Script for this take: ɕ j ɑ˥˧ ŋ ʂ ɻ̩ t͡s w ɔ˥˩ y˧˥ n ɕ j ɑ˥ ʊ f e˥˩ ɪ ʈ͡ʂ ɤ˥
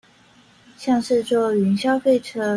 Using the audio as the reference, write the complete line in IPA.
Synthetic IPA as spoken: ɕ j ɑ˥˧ ŋ ʂ ɻ̩ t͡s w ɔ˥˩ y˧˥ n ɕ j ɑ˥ ʊ f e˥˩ ɪ ʈ͡ʂʰ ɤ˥

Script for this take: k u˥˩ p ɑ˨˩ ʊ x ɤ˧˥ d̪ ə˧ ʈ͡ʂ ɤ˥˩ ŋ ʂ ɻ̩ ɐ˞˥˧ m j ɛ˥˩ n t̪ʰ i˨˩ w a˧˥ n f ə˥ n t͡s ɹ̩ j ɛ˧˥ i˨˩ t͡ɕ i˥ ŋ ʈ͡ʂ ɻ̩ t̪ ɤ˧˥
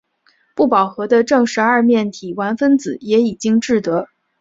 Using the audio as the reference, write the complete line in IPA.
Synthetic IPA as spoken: p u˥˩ p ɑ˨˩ ʊ x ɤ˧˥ d̪ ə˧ ʈ͡ʂ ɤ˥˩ ŋ ʂ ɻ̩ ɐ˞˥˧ m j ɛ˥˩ n t̪ʰ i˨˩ w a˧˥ n f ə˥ n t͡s ɹ̩ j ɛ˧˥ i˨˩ t͡ɕ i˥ ŋ ʈ͡ʂ ɻ̩ t̪ ɤ˧˥

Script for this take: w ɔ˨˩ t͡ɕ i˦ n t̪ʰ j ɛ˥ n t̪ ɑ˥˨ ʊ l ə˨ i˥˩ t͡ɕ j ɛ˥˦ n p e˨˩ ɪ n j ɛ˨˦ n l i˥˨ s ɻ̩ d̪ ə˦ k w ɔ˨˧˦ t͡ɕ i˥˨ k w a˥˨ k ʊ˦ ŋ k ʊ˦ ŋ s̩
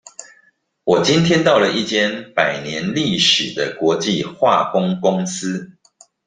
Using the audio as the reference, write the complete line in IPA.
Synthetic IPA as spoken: w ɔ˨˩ t͡ɕ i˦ n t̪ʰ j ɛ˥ n t̪ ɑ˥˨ ʊ l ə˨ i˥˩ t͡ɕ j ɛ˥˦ n p a˨˩ ɪ n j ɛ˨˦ n l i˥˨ ʂ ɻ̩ d̪ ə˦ k w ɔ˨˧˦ t͡ɕ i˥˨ x w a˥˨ k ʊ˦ ŋ k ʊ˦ ŋ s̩

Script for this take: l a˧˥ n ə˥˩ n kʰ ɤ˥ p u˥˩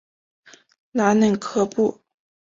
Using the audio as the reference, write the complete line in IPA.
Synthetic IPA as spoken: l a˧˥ n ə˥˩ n kʰ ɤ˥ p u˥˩

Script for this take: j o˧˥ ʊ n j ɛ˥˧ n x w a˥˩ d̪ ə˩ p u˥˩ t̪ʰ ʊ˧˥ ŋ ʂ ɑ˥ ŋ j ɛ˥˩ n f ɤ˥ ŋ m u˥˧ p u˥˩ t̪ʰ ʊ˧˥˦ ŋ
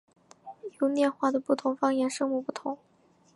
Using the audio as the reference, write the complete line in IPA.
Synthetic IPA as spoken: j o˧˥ ʊ n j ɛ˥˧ n x w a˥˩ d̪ ə˩ p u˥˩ t̪ʰ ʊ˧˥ ŋ f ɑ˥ ŋ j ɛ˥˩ n ʂ ɤ˥ ŋ m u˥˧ p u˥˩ t̪ʰ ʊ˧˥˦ ŋ

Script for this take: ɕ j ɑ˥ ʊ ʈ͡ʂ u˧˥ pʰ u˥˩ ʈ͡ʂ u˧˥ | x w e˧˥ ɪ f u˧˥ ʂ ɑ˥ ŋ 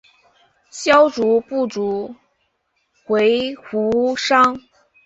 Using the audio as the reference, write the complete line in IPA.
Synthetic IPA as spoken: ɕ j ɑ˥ ʊ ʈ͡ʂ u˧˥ p u˥˩ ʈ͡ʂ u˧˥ | x w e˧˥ ɪ x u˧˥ ʂ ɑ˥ ŋ

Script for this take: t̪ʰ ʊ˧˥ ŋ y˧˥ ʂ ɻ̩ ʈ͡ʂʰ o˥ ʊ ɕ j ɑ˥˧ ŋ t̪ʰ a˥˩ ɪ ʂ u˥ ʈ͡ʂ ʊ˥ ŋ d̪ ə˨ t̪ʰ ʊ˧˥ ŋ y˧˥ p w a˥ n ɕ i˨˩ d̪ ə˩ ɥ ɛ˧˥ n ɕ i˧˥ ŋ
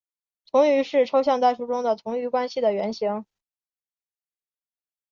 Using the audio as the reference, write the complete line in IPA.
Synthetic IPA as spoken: t̪ʰ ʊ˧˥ ŋ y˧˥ ʂ ɻ̩ ʈ͡ʂʰ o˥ ʊ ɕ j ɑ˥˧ ŋ t̪ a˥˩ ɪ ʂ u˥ ʈ͡ʂ ʊ˥ ŋ d̪ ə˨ t̪ʰ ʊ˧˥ ŋ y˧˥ k w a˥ n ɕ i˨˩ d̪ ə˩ ɥ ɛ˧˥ n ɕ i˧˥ ŋ

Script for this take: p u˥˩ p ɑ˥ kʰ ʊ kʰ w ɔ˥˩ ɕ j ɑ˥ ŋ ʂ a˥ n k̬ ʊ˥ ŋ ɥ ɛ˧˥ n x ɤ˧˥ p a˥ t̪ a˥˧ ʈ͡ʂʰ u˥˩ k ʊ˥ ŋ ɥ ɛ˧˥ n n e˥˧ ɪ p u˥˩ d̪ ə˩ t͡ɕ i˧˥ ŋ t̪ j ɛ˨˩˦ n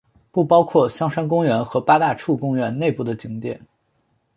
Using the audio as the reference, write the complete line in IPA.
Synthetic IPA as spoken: p u˥˩ p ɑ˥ ʊ kʰ w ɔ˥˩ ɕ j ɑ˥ ŋ ʂ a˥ n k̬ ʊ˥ ŋ ɥ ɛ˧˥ n x ɤ˧˥ p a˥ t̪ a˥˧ ʈ͡ʂʰ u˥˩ k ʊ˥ ŋ ɥ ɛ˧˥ n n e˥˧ ɪ p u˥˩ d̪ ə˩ t͡ɕ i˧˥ ŋ t̪ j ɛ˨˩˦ n

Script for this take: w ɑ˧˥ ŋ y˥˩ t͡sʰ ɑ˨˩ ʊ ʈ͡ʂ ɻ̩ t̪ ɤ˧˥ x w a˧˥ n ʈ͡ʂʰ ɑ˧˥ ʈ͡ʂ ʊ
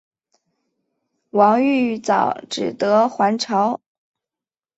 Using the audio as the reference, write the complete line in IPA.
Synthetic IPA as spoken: w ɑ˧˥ ŋ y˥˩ t͡s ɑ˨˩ ʊ ʈ͡ʂ ɻ̩ t̪ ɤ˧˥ x w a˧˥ n ʈ͡ʂʰ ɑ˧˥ ʊ

